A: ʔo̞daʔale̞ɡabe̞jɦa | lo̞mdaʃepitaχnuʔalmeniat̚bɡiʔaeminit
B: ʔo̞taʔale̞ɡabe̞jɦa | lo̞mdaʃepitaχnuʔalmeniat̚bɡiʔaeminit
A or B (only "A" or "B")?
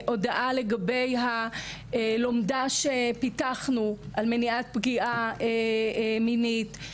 A